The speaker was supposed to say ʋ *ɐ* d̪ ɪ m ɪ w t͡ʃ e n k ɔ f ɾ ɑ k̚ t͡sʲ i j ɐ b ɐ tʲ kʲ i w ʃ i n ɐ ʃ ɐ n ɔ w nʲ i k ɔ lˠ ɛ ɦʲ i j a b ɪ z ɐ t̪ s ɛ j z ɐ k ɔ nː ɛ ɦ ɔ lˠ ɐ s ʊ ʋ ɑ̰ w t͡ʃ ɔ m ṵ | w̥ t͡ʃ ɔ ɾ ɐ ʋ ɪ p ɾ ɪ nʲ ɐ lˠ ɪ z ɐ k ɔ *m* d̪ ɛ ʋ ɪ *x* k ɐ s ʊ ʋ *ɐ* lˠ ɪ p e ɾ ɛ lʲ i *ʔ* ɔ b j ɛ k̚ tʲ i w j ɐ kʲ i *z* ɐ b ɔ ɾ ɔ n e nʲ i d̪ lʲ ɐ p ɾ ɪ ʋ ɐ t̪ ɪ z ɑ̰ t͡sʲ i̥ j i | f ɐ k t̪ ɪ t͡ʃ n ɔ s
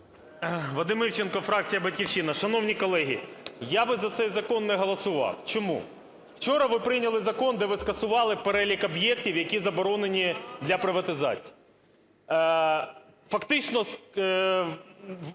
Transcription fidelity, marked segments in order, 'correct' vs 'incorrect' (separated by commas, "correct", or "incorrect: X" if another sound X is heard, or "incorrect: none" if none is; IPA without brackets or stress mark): correct, incorrect: n, incorrect: s, incorrect: ɑ, incorrect: k, correct